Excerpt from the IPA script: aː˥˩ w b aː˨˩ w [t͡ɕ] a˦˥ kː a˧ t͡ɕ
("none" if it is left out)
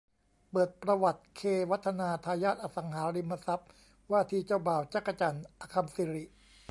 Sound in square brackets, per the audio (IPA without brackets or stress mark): t͡ɕ